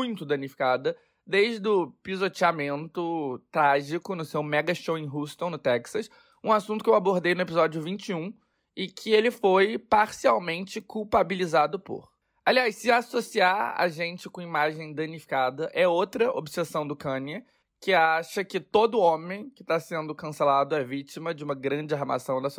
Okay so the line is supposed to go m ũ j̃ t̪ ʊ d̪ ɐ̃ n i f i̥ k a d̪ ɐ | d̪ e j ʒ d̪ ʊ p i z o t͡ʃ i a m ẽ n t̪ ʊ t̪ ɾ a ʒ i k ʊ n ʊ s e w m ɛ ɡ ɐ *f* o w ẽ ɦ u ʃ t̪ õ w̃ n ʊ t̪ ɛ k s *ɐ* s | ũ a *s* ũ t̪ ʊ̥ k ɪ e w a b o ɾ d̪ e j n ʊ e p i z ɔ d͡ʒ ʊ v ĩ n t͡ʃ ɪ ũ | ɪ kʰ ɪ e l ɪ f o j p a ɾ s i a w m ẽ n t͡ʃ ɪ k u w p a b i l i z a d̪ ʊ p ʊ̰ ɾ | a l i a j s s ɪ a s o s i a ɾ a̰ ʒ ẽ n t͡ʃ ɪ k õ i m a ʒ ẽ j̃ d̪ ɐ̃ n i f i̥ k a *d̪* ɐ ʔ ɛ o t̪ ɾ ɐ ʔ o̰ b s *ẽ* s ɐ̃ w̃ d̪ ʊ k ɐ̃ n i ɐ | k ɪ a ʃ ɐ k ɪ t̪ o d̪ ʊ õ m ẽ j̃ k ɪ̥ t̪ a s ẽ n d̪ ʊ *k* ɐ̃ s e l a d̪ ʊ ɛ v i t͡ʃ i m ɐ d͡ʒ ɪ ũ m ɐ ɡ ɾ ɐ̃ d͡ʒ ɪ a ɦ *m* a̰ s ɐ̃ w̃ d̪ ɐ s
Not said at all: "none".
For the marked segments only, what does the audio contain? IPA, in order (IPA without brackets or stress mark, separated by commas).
ʃ, ɐ, s, d̪, e, k, m